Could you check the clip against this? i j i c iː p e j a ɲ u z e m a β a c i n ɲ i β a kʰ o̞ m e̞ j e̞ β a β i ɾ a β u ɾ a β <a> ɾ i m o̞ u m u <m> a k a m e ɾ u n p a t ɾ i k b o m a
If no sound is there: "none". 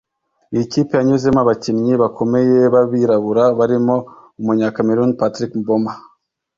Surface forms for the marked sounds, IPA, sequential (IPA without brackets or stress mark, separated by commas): a, ɲ